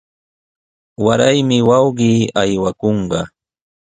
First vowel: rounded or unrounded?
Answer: unrounded